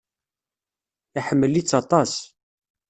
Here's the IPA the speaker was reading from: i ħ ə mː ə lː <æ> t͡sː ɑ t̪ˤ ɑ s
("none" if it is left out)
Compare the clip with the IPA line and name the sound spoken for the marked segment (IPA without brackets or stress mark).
i